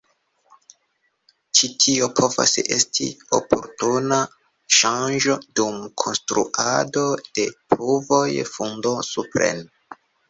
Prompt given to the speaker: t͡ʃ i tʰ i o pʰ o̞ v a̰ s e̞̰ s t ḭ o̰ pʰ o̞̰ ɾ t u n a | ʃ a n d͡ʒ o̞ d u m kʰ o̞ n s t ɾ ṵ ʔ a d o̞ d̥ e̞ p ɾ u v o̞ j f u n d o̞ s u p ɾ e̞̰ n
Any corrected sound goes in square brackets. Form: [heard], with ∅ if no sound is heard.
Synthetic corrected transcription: t͡ʃ i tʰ i o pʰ o̞ v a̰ s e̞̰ s t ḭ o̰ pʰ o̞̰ ɾ t u n a | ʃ a n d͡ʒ o̞ d u m kʰ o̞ n s t ɾ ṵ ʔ a d o̞ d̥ e̞ p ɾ u v o̞ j f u n d o̞ s u p ɾ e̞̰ n